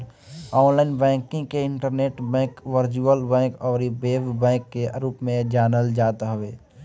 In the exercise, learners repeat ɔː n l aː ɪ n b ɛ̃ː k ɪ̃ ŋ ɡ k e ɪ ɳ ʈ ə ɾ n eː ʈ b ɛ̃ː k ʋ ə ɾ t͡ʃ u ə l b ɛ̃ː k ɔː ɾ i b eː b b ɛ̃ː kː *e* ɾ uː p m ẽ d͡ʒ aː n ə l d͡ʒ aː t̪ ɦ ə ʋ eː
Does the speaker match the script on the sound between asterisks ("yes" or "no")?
yes